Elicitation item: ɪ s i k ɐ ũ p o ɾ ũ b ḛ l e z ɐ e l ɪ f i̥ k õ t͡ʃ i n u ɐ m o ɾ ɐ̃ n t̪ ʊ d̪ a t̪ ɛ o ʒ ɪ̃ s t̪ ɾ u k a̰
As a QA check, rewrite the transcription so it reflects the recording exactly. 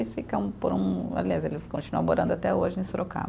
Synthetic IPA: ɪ f i k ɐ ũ p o ɾ ũ b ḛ l e z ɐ e l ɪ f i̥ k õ t͡ʃ i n u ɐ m o ɾ ɐ̃ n d̪ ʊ a t̪ ɛ o ʒ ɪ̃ s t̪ ɾ o k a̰